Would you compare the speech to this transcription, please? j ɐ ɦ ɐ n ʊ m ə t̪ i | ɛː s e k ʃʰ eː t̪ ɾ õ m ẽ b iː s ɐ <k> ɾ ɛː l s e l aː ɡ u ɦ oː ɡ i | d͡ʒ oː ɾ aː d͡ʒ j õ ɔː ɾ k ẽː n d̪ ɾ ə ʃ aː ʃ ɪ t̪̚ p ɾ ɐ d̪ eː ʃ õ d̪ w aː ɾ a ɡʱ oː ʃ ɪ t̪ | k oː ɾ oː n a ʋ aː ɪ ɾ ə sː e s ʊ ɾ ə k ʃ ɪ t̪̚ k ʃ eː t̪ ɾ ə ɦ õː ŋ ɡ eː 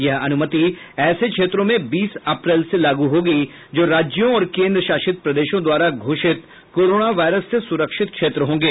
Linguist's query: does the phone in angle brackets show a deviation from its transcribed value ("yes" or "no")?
yes